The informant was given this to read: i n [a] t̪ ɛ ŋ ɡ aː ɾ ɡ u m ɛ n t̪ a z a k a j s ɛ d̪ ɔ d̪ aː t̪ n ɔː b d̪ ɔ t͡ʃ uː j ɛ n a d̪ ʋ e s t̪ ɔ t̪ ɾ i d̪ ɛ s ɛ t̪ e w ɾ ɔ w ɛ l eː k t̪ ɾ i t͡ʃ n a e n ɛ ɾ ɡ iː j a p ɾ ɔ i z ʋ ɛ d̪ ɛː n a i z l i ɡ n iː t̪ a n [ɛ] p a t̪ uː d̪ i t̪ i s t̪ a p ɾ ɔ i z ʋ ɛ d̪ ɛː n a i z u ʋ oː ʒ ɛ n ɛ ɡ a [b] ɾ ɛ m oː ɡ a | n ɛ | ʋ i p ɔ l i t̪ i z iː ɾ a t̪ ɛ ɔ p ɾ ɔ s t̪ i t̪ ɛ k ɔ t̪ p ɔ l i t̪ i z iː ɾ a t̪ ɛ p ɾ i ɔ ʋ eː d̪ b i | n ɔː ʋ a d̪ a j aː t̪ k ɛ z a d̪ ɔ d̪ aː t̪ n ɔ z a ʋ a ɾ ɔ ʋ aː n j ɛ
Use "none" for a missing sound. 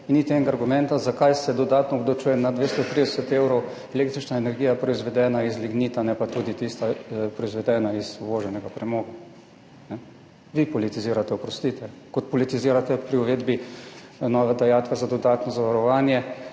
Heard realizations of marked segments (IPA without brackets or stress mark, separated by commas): i, ɛ, p